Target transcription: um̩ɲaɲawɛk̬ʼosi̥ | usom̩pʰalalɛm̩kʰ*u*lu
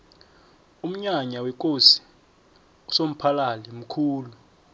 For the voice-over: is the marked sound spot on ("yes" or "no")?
no